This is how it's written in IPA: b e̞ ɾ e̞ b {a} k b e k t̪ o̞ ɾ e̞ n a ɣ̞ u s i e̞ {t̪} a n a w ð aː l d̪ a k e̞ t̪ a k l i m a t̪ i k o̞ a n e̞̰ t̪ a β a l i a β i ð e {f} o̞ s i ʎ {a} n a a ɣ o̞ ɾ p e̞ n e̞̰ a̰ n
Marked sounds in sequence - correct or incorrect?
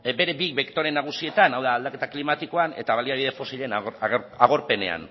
incorrect: i, correct, correct, incorrect: e

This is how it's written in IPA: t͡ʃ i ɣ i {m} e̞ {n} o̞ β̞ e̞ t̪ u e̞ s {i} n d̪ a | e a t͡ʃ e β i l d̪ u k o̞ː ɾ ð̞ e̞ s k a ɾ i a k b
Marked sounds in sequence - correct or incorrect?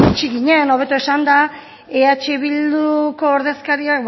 incorrect: ɲ, correct, incorrect: a

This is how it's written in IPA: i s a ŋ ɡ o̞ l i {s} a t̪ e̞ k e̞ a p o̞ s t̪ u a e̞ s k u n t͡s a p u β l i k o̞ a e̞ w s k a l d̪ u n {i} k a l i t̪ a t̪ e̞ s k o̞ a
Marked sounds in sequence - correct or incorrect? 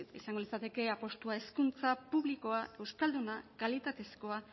incorrect: t͡s, incorrect: a

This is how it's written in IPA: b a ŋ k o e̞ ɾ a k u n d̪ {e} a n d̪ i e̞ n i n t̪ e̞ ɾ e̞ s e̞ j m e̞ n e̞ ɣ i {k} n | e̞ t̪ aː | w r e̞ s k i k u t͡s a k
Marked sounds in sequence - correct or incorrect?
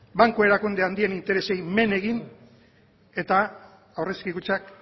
correct, incorrect: none

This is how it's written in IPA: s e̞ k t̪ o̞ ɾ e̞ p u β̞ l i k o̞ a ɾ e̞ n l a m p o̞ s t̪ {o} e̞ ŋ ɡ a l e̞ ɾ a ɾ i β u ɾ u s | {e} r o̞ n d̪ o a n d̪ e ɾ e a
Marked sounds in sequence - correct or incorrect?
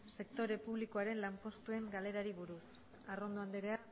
incorrect: u, incorrect: a

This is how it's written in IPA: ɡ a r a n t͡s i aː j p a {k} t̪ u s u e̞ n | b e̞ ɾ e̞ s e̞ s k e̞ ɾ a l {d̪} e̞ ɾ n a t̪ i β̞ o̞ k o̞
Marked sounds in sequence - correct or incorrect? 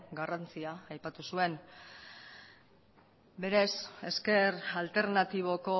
incorrect: none, incorrect: t̪

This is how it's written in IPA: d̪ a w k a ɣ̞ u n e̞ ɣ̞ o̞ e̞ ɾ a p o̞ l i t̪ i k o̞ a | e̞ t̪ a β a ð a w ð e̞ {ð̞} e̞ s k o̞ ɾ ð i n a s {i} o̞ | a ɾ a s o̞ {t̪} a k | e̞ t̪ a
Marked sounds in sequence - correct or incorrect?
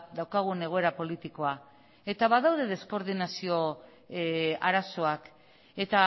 correct, correct, incorrect: none

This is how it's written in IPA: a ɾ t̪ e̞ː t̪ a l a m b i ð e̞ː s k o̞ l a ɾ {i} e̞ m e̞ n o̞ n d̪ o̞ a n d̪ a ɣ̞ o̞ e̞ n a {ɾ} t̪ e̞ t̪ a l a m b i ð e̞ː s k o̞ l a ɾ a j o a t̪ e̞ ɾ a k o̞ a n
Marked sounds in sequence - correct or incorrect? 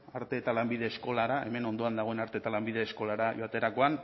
incorrect: a, correct

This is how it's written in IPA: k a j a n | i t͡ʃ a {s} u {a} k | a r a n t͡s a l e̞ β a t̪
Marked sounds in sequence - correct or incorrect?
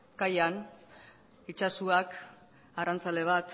correct, correct

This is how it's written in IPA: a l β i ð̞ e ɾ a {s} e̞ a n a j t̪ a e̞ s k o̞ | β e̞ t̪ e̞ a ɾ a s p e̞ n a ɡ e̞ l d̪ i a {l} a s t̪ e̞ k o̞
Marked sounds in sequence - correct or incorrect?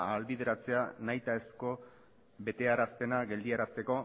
incorrect: t͡s, incorrect: ɾ

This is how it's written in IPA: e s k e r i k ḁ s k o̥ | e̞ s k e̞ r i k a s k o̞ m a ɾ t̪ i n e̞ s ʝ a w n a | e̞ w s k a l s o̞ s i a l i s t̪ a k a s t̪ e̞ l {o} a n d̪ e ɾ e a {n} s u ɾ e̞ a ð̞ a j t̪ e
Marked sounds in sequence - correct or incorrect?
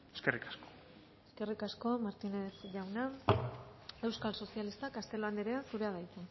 correct, correct

